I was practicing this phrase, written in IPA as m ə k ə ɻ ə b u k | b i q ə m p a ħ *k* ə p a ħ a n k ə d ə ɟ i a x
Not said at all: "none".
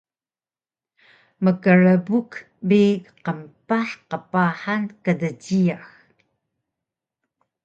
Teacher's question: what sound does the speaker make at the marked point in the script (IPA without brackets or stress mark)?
q